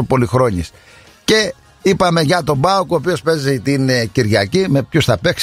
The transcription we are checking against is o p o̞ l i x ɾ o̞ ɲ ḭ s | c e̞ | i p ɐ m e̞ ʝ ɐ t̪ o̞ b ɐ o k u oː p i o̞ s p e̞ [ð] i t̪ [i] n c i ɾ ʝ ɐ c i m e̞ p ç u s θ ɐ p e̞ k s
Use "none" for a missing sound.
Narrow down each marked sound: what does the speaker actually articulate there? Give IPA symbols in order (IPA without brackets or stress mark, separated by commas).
z, i